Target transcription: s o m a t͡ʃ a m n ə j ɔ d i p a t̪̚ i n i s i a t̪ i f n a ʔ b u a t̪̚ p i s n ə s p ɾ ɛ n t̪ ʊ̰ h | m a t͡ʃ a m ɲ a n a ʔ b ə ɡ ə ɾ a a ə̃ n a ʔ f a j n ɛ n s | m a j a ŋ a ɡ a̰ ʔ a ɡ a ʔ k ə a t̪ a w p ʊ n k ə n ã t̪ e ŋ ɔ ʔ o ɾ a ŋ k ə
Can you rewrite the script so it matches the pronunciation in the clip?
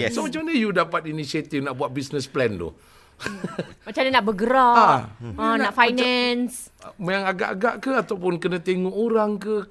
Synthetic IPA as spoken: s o m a t͡ʃ a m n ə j u d a p a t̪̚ i n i s i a t̪ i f n a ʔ b u a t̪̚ b i s n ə s p l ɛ n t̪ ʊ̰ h | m a t͡ʃ a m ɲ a n a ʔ b ə ɡ ə ɾ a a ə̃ n a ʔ f a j n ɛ n s | m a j a ŋ a ɡ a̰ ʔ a ɡ a ʔ k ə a t̪ a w p ʊ n k ə n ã t̪ e ŋ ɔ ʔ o ɾ a ŋ k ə